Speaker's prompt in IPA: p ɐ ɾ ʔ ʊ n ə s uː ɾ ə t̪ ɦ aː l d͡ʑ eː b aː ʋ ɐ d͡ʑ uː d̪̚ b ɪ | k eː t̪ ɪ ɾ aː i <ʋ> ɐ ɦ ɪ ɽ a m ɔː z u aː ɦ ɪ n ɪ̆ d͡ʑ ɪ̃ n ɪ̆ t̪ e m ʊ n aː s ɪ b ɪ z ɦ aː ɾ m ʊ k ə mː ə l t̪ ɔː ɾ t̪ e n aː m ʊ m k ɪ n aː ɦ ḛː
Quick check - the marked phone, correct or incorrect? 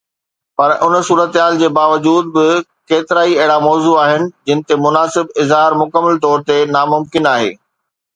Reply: incorrect: none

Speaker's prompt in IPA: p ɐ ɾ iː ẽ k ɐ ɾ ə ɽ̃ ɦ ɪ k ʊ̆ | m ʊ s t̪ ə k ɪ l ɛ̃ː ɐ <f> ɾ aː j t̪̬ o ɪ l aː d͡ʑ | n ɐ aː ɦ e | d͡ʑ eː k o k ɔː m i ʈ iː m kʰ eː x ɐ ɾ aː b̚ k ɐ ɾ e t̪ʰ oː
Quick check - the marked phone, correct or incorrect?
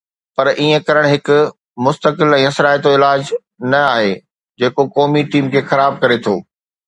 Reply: incorrect: s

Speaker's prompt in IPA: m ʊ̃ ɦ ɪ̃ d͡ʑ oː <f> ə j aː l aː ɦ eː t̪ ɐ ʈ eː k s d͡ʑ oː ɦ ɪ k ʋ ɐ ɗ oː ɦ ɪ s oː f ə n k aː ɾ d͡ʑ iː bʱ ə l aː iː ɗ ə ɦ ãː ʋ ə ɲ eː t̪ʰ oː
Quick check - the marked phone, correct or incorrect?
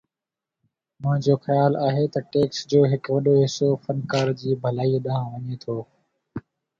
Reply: incorrect: x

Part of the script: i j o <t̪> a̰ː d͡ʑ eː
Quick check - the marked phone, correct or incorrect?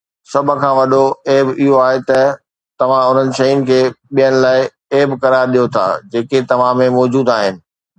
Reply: incorrect: t̪ʰ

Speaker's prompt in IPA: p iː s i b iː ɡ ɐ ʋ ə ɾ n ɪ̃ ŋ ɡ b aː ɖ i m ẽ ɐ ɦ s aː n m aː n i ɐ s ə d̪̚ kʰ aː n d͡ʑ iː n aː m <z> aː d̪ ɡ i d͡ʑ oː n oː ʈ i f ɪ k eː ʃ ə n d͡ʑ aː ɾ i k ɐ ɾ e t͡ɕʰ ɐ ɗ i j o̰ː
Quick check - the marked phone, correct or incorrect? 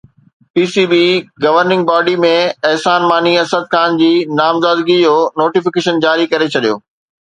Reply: correct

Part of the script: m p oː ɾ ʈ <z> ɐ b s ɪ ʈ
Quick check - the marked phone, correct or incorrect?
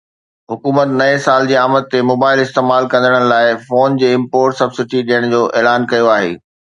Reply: incorrect: s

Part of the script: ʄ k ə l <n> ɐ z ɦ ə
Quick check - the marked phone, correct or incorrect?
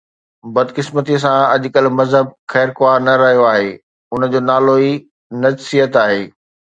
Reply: incorrect: m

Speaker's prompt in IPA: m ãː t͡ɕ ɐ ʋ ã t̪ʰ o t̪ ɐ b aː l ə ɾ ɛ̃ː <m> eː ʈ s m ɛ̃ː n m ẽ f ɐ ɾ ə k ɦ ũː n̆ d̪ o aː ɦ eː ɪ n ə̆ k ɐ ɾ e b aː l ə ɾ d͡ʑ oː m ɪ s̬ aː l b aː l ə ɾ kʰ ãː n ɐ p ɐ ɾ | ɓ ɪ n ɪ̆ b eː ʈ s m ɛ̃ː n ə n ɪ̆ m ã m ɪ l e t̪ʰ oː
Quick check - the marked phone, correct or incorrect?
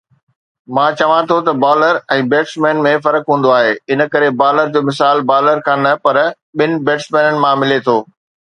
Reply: incorrect: b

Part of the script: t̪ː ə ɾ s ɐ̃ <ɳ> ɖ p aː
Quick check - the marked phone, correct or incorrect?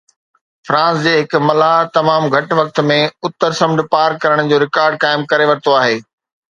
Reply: incorrect: m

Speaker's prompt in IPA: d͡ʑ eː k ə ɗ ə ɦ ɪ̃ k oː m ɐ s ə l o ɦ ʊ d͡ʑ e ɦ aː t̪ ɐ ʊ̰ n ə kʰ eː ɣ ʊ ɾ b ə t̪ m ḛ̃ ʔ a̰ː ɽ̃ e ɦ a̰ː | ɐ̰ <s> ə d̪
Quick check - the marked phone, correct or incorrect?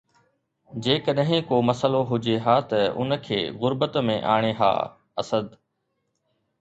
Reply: correct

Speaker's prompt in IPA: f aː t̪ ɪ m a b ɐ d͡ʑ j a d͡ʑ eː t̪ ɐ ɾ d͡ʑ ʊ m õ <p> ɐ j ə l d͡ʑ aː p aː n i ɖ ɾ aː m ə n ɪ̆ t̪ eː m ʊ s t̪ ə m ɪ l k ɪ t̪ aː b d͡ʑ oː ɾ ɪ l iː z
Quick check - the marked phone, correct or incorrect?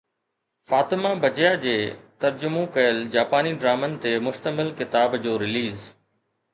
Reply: incorrect: k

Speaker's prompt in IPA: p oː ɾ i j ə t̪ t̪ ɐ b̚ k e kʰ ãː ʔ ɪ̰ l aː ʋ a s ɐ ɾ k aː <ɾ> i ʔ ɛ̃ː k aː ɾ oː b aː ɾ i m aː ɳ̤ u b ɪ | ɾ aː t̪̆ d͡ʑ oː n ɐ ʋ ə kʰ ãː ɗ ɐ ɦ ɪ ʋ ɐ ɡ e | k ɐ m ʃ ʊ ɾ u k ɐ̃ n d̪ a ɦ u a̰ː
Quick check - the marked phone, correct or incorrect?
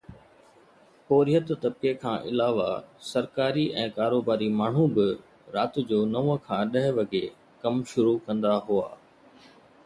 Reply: correct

